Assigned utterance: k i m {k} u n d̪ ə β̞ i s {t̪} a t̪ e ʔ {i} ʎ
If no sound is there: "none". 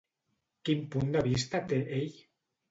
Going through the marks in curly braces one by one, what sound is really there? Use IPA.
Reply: p, t̪, e

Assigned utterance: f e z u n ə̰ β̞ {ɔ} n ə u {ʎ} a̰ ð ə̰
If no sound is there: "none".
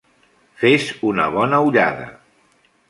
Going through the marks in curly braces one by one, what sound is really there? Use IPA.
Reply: ɔ, ʎ

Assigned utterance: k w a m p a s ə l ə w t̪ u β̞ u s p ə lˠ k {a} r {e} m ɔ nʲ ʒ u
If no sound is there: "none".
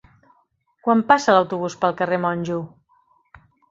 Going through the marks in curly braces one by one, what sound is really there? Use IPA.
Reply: ə, e

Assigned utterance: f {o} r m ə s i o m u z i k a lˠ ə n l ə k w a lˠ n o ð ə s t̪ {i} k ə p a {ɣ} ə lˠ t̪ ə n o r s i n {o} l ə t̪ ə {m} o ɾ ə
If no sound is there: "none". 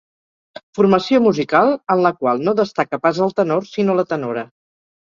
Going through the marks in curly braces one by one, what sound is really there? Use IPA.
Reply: u, a, z, o, n

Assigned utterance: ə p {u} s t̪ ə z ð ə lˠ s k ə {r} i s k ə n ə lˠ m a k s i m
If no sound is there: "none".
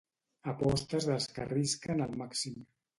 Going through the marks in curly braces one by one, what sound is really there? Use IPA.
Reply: ɔ, r

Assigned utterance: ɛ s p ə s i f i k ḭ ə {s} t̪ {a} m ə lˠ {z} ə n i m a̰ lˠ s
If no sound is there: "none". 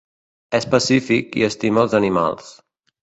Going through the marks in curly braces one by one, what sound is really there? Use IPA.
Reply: s, i, z

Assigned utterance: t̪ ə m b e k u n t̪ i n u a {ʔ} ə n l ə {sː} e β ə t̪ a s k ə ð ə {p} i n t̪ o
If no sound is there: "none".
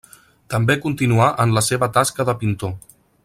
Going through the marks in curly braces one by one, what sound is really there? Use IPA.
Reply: ʔ, s, p

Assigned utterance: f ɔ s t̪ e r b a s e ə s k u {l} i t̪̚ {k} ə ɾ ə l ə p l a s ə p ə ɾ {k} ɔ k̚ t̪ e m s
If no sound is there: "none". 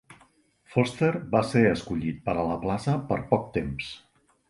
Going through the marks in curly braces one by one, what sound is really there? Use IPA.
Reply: ʎ, p, p

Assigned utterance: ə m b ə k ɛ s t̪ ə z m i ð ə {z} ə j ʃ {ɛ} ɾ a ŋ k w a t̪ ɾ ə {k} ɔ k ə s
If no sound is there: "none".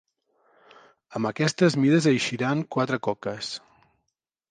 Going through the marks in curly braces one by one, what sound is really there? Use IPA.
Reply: z, i, k

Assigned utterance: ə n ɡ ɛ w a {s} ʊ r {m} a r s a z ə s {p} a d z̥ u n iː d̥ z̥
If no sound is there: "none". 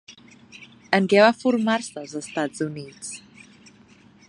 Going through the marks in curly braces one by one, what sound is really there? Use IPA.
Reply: f, m, t

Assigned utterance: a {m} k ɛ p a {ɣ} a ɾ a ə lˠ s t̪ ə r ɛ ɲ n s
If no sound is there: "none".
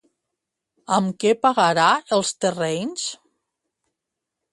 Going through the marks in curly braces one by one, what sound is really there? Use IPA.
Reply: m, ɣ

